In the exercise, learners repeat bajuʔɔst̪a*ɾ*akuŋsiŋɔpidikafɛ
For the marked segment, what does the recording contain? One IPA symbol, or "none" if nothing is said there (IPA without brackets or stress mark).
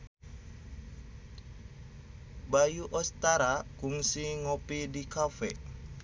ɾ